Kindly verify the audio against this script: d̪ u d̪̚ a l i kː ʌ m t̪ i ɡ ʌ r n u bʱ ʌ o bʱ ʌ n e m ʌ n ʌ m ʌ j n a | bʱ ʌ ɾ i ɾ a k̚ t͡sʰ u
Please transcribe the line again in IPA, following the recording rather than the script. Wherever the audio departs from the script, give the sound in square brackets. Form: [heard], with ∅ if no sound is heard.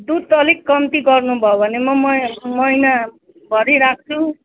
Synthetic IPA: d̪ u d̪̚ [ʌ] l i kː ʌ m t̪ i ɡ ʌ r n u bʱ ʌ o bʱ ʌ n e m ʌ [m] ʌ m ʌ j n a | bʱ ʌ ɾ i ɾ a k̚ t͡sʰ u